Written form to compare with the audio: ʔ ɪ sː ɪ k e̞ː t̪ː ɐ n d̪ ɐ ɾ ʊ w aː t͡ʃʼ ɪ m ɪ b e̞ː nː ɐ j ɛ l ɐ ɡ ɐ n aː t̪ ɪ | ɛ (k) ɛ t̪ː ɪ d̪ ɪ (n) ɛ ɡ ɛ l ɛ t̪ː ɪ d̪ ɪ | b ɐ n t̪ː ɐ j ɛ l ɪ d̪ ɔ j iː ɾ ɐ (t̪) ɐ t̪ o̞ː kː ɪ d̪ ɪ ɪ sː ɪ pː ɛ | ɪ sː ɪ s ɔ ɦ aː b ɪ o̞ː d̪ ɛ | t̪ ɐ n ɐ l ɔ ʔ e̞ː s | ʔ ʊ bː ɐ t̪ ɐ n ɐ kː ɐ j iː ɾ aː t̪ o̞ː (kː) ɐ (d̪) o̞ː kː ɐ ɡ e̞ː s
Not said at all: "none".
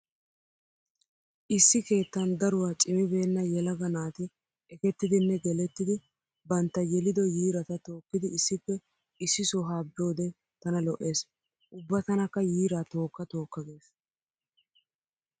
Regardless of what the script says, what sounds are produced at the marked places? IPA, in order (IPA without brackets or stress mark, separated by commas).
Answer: k, nː, t̪, kː, t̪